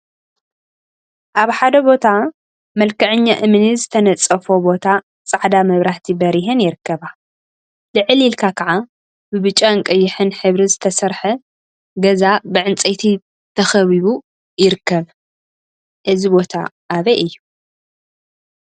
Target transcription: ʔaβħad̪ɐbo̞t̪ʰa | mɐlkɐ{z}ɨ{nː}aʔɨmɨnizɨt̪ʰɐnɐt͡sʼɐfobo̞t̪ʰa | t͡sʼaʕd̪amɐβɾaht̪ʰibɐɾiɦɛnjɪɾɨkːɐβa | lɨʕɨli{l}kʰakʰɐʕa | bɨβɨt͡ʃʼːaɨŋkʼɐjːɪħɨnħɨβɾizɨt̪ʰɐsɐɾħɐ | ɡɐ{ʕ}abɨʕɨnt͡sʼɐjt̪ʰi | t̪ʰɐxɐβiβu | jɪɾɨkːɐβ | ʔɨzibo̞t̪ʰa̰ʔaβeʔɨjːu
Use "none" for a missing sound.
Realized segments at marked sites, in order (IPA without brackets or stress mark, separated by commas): ʕ, ɲː, l, z